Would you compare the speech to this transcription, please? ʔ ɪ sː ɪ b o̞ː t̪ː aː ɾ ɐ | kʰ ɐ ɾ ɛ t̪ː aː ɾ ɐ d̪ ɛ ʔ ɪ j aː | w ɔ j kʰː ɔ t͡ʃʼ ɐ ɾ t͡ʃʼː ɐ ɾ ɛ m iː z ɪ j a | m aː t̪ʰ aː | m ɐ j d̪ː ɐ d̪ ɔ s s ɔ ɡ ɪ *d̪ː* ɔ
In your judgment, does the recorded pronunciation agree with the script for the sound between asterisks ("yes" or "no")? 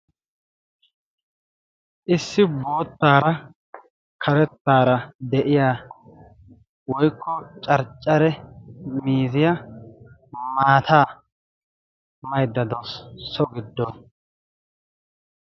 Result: yes